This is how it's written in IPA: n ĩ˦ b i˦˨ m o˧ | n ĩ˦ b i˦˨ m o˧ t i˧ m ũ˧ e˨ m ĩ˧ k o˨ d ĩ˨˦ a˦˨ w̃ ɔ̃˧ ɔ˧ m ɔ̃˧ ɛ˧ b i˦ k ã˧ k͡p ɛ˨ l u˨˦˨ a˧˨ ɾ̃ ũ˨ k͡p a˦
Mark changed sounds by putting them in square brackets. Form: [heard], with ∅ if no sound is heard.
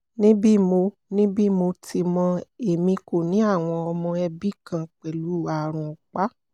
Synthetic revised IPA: n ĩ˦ b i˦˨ m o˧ | n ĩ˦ b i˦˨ m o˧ t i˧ m [ɔ̃˧] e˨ m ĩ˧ k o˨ [n] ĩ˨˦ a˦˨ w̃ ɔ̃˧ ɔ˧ m ɔ̃˧ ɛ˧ b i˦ k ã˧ k͡p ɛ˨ l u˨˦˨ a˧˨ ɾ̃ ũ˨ k͡p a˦